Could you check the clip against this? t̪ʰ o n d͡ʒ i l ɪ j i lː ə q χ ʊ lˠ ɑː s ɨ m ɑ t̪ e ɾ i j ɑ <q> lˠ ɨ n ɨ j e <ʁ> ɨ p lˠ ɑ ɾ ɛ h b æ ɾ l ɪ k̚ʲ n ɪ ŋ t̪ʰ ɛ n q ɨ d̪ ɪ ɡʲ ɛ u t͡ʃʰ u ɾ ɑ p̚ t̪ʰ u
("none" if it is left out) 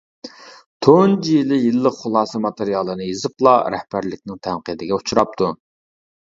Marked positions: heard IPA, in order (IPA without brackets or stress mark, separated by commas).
none, z